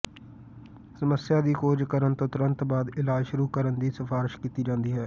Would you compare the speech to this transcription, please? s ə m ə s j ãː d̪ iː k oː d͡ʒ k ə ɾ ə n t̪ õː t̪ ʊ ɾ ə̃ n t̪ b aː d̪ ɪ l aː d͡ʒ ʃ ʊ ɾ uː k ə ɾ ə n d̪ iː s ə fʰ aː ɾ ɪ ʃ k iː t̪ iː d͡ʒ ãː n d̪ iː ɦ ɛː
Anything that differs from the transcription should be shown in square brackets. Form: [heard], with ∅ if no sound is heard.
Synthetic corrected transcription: s ə m ə s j [aː] d̪ iː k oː d͡ʒ k ə ɾ ə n t̪ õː t̪ ʊ ɾ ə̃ n t̪ b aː d̪ ɪ l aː d͡ʒ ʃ ʊ ɾ uː k ə ɾ ə n d̪ iː s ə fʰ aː ɾ ɪ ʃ k iː t̪ iː d͡ʒ ãː n d̪ iː ɦ ɛː